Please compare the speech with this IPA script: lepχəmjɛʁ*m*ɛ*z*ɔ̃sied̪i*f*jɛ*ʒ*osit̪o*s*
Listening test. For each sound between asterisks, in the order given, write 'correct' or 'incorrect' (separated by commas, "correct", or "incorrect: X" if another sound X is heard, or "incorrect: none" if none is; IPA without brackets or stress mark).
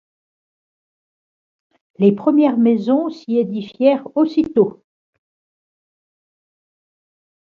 correct, correct, correct, incorrect: ʁ, incorrect: none